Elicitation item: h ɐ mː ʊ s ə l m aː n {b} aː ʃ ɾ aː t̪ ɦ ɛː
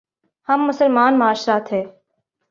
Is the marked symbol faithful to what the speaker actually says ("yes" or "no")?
no